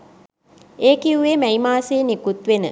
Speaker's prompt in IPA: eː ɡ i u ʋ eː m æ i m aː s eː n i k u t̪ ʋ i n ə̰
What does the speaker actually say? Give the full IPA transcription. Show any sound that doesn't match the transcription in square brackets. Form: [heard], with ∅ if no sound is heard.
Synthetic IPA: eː [k] i u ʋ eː m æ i m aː s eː n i k u t̪ ʋ [e] n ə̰

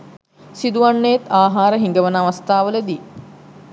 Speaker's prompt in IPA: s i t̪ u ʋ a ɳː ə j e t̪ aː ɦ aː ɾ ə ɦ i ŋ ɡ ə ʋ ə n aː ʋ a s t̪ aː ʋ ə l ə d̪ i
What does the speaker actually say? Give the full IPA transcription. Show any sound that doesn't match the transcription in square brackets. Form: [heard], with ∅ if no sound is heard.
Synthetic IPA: s i [d̪] u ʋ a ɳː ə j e t̪ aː ɦ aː ɾ ə ɦ i ŋ ɡ ə ʋ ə n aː ʋ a s t̪ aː ʋ ə l ə d̪ i

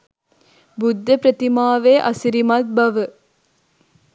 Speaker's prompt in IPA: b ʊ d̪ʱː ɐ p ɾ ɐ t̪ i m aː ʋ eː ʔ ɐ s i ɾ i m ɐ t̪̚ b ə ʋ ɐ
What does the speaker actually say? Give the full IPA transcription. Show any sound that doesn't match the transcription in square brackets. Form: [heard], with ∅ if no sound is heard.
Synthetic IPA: b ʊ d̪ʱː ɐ p ɾ ɐ t̪ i m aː ʋ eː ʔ ɐ s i ɾ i m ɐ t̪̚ b [ɐ] ʋ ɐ

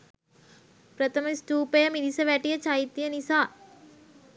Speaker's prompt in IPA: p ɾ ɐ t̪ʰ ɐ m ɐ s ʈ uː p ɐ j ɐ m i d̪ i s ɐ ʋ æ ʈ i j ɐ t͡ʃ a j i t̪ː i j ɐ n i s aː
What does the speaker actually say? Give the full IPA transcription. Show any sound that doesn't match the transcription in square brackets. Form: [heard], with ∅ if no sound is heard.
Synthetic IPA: p ɾ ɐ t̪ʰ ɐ m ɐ s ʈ uː p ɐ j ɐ m i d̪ i s ɐ ʋ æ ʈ i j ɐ t͡ʃ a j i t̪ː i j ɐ n i s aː

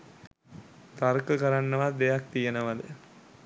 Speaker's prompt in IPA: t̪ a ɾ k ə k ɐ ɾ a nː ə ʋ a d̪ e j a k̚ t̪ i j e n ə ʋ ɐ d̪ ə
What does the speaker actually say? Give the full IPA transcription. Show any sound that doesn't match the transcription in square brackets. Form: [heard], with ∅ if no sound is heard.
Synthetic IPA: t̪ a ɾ k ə k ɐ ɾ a nː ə ʋ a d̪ e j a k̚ t̪ i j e n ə ʋ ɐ d̪ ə

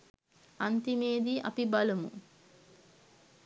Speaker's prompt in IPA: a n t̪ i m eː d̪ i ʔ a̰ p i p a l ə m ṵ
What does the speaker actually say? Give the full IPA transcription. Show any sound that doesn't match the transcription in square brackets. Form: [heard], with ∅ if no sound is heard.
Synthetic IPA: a n t̪ i m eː d̪ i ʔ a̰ p i [b] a l ə m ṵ

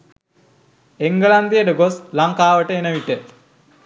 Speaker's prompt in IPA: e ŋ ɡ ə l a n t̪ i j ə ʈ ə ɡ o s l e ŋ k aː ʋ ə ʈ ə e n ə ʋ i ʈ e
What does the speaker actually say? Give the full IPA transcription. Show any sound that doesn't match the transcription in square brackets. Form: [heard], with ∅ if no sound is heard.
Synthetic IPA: e ŋ ɡ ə l a n [d̪] i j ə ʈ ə ɡ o s l [a] ŋ k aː ʋ ə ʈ ə e n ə ʋ i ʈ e

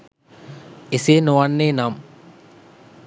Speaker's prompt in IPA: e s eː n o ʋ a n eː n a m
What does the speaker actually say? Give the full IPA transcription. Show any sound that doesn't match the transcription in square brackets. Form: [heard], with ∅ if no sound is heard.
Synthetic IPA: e s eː n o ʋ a [nː] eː n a m

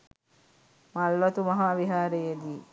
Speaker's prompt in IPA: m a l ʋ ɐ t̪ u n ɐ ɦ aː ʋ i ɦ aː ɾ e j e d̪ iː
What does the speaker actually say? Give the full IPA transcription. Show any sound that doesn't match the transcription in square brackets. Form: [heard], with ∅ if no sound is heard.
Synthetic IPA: m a l ʋ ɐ t̪ u [m] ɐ ɦ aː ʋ i ɦ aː ɾ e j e d̪ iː

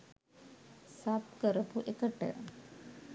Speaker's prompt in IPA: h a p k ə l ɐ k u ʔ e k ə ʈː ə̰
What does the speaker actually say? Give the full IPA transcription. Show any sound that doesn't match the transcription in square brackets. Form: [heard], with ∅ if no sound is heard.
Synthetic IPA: [s] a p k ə [ɾ] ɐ [p] u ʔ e k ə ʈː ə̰

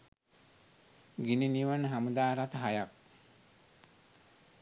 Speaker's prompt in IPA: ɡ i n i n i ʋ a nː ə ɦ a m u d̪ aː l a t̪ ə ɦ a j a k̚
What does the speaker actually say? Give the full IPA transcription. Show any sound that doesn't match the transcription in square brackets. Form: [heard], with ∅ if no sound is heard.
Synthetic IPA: ɡ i n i n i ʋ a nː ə ɦ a m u d̪ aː [ɾ] a t̪ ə ɦ a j a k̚

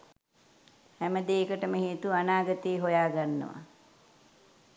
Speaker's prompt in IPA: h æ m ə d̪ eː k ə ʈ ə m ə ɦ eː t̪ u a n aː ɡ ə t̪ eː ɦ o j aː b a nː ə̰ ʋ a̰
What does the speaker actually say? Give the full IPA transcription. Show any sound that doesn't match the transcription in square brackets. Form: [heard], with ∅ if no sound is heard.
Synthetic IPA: h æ m ə d̪ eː k ə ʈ ə m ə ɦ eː t̪ u a n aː ɡ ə t̪ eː ɦ o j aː [ɡ] a nː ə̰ ʋ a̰

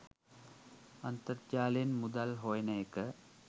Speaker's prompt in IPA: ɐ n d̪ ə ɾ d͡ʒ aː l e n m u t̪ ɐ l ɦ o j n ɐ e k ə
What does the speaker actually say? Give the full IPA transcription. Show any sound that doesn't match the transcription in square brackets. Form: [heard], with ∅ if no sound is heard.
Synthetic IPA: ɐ n [t̪] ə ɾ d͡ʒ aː l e n m u [d̪] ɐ l ɦ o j n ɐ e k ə

